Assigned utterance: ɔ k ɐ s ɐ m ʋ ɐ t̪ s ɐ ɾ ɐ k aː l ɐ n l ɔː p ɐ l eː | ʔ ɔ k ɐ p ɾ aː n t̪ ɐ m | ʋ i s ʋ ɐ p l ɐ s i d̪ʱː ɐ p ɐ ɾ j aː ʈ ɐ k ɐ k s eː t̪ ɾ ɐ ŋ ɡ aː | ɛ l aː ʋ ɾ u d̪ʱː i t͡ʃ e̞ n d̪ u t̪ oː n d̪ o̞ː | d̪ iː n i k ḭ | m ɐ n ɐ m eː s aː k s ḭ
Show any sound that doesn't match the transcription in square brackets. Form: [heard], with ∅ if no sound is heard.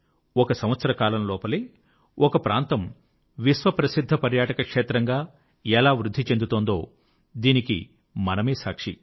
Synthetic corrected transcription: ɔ k ɐ s ɐ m ʋ ɐ t̪ s ɐ ɾ ɐ k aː l ɐ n l ɔː p ɐ l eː | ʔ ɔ k ɐ p ɾ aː n t̪ ɐ m | ʋ i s ʋ ɐ p [ɾ] ɐ s i d̪ʱː ɐ p ɐ ɾ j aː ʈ ɐ k ɐ k [ʂ] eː t̪ ɾ ɐ ŋ ɡ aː | ɛ l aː ʋ ɾ u d̪ʱː i t͡ʃ e̞ n d̪ u t̪ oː n d̪ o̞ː | d̪ iː n i k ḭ | m ɐ n ɐ m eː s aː k [ʂ] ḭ